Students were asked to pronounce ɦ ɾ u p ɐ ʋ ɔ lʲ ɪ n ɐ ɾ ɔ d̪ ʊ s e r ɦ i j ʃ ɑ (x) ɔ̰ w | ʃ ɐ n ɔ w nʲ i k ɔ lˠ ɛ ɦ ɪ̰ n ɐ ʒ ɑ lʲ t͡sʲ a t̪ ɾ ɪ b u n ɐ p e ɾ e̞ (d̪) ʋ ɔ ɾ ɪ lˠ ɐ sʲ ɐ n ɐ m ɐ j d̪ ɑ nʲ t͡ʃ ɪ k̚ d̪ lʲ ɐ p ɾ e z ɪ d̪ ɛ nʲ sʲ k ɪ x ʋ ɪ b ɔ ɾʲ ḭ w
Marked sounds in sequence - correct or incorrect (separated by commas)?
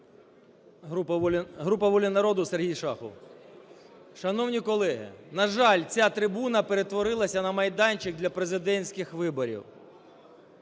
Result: correct, incorrect